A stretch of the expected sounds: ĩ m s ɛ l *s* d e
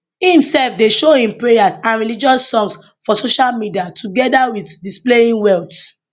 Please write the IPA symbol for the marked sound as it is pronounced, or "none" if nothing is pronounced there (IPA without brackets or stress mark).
f